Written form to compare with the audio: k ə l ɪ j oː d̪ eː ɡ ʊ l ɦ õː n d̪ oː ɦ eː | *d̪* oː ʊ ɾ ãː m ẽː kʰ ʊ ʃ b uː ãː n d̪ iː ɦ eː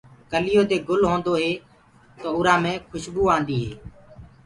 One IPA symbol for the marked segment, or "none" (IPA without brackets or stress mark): t̪